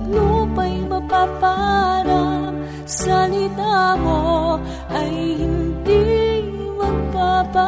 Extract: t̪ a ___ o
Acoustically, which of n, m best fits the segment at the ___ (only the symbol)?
m